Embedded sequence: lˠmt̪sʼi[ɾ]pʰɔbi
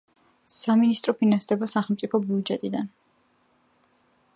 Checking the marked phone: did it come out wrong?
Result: yes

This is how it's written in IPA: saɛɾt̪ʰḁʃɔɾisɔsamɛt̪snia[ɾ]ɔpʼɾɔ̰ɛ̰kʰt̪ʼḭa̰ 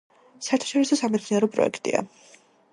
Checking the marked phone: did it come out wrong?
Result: no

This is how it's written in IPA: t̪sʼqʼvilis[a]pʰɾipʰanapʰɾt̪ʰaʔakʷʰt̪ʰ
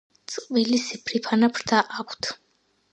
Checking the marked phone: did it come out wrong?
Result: yes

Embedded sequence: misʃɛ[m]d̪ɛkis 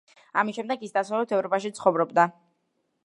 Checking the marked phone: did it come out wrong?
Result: no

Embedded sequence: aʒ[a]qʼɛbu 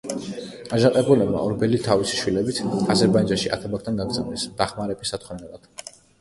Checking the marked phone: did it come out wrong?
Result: no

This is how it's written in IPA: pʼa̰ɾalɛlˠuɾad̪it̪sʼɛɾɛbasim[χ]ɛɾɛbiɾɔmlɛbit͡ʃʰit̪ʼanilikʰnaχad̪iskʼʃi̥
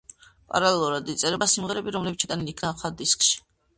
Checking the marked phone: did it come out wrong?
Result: yes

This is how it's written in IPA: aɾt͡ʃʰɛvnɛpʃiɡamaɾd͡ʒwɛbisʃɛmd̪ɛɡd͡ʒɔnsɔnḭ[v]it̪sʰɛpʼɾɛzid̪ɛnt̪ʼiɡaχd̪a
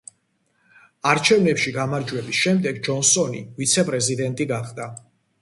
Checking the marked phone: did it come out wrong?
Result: no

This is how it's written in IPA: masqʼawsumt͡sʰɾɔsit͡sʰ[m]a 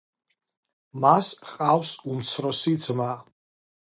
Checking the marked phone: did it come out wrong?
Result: no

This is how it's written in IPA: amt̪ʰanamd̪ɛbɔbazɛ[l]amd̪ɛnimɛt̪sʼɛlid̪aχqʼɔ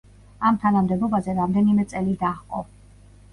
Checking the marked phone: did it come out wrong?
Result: yes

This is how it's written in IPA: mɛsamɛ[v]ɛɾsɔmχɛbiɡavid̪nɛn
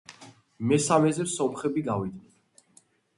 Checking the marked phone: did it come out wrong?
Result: yes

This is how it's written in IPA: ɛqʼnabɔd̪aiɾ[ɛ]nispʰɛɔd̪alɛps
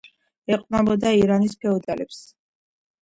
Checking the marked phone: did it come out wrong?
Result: yes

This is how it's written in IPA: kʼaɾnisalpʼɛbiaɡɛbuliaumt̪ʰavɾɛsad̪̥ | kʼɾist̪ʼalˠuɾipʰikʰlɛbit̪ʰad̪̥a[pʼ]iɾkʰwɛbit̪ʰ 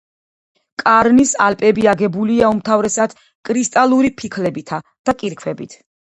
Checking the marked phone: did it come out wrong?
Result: yes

